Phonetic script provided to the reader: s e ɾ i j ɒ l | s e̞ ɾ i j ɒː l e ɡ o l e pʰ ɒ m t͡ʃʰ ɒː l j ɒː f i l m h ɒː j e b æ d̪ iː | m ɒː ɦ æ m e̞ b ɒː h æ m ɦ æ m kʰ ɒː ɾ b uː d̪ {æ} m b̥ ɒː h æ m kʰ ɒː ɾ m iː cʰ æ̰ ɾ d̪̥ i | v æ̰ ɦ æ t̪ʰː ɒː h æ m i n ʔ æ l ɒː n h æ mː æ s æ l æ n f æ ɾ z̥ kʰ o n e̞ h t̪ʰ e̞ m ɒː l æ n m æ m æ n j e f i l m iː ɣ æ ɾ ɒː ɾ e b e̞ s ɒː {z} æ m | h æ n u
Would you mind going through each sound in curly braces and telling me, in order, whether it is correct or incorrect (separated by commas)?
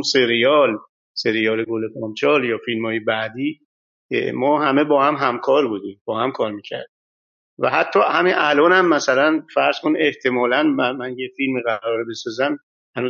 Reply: incorrect, correct